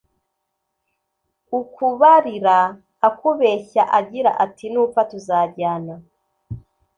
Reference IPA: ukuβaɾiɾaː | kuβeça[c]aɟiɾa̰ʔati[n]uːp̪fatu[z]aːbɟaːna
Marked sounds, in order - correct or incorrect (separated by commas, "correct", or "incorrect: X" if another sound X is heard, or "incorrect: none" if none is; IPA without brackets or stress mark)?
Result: incorrect: ʔ, correct, correct